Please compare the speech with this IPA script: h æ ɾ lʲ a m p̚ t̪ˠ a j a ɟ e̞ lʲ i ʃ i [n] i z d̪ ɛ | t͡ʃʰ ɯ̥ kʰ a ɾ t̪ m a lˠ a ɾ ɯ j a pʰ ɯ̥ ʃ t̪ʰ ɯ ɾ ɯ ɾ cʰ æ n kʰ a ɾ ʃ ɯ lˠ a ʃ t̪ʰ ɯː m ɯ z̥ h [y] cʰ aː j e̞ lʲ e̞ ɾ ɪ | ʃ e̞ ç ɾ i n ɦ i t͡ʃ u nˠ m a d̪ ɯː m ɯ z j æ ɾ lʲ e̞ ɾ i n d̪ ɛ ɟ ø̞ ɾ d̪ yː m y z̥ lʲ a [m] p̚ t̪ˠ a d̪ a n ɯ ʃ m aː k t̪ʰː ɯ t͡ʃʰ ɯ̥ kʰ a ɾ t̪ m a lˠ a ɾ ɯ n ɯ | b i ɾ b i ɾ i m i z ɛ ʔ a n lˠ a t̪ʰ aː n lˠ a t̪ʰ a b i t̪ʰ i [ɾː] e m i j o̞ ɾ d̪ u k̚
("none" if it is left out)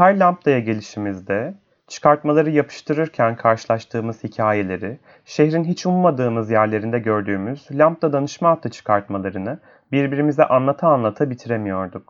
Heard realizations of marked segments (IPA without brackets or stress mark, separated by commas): m, i, m, ɾ